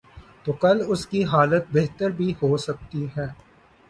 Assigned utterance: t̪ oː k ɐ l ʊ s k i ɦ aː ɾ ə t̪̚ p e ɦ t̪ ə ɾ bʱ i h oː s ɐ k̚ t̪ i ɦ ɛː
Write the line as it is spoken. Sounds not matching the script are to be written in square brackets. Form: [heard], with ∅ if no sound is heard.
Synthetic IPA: t̪ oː k ɐ l ʊ s k i ɦ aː [l] ə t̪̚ [b] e ɦ t̪ ə ɾ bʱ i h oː s ɐ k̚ t̪ i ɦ ɛː